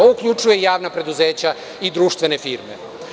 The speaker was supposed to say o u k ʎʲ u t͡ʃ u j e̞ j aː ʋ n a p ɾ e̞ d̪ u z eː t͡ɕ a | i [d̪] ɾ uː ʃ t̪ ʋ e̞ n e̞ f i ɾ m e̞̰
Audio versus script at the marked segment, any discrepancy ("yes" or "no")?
no